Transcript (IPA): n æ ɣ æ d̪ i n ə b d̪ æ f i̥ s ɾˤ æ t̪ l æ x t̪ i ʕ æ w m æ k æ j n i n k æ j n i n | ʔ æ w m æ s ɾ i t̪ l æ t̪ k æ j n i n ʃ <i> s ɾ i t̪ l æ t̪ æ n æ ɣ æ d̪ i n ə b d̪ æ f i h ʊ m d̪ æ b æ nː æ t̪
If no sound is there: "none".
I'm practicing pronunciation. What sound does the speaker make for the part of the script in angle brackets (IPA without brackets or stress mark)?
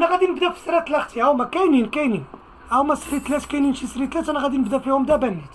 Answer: i